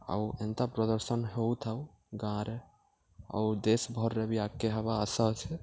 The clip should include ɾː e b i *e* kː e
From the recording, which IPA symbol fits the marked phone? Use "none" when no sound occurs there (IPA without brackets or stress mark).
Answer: a